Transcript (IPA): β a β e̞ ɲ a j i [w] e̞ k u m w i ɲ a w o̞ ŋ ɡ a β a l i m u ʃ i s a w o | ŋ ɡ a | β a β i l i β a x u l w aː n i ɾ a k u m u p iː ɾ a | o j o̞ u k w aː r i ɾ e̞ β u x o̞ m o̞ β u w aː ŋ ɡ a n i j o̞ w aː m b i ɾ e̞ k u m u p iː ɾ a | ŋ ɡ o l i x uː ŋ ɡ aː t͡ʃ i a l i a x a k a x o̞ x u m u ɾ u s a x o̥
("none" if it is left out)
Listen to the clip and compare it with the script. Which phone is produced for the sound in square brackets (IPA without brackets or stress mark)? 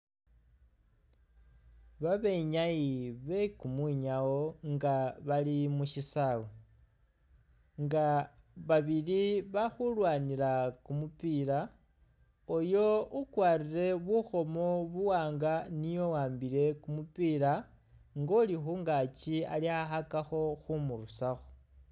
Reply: β